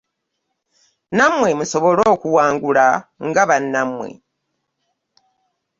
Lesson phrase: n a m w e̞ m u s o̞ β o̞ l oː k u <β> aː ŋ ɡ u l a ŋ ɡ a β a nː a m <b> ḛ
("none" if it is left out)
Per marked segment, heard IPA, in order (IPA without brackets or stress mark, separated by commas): w, w